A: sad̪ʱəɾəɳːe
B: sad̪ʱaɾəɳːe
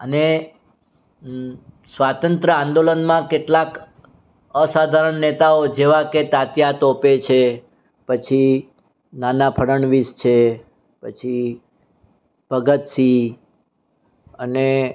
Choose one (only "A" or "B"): B